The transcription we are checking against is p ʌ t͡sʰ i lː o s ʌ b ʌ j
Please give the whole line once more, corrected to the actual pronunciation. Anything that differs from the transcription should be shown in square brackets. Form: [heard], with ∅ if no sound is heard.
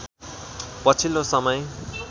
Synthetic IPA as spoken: p ʌ t͡sʰ i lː o s ʌ [m] ʌ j